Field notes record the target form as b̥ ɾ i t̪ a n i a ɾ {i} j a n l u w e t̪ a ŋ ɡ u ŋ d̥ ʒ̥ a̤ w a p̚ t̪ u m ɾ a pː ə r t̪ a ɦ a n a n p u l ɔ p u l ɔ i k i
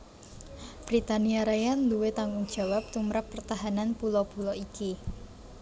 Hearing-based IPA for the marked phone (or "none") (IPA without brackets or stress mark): a